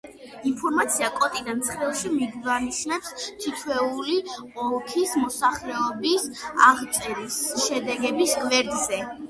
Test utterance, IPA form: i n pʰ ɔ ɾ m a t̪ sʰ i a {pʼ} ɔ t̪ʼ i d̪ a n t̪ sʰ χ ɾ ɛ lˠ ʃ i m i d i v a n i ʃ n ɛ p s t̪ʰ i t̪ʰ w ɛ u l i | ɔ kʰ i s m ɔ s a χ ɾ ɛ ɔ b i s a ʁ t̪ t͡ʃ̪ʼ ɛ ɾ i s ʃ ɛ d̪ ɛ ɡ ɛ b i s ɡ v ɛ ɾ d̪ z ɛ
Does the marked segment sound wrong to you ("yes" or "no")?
yes